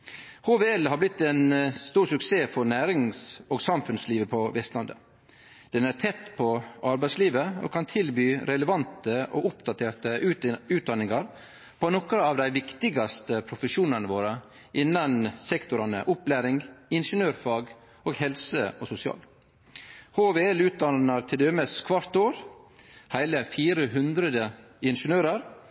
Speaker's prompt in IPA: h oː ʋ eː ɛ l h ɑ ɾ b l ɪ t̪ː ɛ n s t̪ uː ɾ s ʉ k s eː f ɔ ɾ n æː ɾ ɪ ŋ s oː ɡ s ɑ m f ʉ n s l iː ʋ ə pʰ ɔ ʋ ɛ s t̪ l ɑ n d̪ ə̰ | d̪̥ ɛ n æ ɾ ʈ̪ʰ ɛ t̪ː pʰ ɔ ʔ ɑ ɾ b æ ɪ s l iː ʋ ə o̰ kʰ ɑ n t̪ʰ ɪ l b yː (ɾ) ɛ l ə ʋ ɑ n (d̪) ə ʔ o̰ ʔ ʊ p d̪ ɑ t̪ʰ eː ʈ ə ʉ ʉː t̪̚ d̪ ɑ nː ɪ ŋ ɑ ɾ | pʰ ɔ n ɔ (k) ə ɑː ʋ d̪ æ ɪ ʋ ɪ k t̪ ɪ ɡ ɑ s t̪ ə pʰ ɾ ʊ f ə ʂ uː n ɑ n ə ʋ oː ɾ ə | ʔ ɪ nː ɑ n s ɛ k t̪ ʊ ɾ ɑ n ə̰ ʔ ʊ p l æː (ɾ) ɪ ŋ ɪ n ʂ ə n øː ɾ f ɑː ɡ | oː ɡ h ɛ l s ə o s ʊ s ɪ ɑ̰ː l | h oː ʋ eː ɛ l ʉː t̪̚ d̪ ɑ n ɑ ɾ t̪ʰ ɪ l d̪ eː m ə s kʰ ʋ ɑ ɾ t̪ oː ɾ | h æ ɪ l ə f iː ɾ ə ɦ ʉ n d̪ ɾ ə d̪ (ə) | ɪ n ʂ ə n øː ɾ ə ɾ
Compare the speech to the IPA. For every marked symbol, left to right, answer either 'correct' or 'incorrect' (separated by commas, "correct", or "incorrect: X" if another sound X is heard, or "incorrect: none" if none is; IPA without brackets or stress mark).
correct, incorrect: t̪, correct, correct, correct